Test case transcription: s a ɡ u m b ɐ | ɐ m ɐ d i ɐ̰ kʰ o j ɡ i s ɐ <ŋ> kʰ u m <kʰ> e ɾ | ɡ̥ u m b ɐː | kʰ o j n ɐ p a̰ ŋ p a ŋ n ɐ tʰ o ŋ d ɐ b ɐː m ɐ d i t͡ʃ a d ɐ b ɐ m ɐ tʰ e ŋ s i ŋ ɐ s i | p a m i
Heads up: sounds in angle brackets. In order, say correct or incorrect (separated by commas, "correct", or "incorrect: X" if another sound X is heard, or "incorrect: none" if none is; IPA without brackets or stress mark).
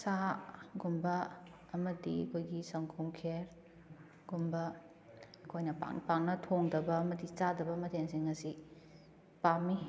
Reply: correct, correct